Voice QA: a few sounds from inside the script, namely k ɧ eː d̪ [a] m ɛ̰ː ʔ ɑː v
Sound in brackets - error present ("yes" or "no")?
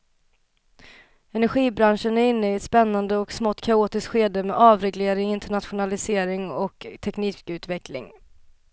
yes